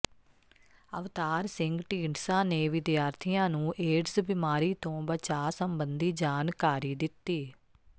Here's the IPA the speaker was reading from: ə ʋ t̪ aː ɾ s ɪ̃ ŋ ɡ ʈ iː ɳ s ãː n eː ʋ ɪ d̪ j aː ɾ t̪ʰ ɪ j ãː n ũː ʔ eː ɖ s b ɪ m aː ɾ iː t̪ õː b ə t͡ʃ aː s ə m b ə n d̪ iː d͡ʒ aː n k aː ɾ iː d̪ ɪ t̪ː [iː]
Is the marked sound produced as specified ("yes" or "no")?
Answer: yes